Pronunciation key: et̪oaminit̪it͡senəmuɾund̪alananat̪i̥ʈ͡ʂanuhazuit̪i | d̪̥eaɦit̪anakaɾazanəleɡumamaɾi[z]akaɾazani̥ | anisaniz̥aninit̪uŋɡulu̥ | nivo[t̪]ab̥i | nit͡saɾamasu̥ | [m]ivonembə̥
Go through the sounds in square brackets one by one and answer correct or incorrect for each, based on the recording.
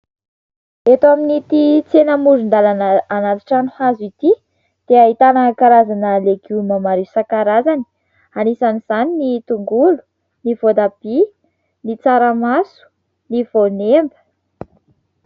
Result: incorrect: s, incorrect: d̪, incorrect: n

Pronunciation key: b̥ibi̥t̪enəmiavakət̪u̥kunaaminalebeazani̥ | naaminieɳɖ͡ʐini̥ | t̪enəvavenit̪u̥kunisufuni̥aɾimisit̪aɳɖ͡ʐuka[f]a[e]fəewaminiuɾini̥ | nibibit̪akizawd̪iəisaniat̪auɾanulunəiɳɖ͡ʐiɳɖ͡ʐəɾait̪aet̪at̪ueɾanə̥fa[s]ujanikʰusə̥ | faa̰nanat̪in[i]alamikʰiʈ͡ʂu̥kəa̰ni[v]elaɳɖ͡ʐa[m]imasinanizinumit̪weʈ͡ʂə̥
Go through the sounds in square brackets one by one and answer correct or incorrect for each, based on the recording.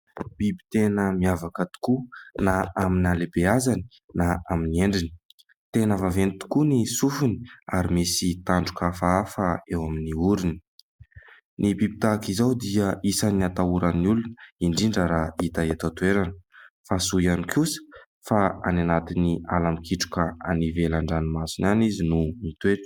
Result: correct, incorrect: a, correct, correct, correct, incorrect: n

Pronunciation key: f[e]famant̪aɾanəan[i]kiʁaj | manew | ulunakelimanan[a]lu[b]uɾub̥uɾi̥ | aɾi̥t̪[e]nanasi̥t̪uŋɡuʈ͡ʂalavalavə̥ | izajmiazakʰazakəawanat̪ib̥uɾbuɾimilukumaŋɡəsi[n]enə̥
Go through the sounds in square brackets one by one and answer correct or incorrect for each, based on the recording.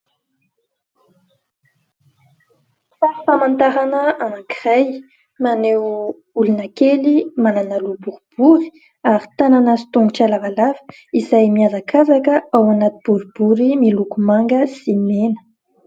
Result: incorrect: a, incorrect: a, correct, correct, incorrect: a, incorrect: m

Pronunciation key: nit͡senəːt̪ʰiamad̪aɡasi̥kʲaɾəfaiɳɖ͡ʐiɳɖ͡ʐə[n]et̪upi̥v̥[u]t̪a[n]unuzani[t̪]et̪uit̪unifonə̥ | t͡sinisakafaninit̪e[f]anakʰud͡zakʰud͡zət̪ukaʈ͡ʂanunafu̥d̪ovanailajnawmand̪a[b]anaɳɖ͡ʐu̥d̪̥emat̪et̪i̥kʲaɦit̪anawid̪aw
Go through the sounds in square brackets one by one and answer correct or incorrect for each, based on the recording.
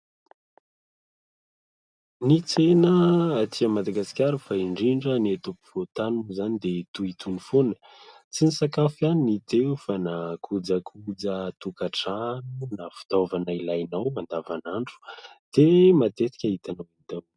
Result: correct, incorrect: o, correct, incorrect: d̪, correct, incorrect: v

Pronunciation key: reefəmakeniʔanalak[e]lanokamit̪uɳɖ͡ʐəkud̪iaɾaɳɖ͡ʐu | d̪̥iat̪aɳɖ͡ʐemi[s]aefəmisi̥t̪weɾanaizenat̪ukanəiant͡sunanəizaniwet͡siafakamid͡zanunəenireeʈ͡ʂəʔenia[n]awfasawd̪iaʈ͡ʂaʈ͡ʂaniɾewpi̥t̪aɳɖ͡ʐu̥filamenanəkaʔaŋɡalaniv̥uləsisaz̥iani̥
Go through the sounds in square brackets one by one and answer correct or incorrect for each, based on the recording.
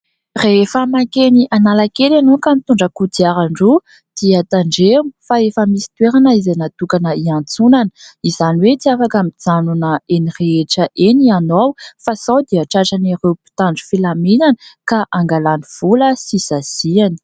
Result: correct, incorrect: f, correct

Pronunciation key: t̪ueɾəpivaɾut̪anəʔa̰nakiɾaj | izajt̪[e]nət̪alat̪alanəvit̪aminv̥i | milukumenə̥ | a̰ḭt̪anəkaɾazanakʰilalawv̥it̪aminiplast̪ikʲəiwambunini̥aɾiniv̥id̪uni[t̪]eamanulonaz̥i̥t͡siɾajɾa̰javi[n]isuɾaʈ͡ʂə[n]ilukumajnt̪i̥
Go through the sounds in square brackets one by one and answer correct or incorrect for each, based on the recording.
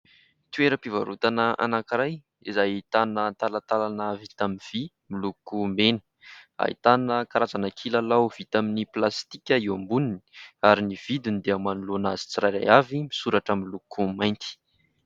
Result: incorrect: a, incorrect: d̪, incorrect: m, incorrect: m

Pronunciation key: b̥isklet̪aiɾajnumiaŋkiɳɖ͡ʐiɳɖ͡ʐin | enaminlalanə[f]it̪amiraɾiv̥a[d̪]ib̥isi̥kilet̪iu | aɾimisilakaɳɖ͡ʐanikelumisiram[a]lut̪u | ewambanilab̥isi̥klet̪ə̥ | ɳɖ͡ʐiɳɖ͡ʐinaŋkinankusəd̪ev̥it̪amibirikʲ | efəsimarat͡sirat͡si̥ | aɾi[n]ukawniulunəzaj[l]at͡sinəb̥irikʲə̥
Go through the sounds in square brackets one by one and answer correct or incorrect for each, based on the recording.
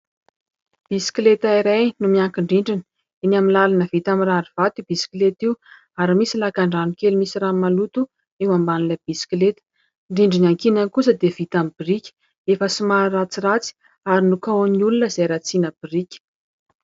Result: incorrect: v, incorrect: t̪, correct, correct, incorrect: ɾ

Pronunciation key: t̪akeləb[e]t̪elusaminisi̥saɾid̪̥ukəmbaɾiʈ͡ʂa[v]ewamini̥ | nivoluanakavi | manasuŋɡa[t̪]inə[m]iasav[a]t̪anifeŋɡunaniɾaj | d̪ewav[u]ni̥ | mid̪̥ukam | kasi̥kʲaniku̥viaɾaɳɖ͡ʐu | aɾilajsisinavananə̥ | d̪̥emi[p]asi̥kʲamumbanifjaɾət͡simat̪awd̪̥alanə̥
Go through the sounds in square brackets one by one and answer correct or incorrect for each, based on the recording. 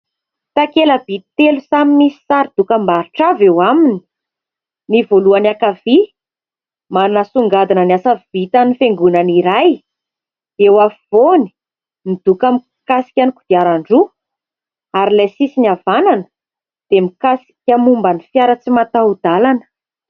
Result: incorrect: i, correct, incorrect: d̪, incorrect: n, incorrect: i, incorrect: o, incorrect: k

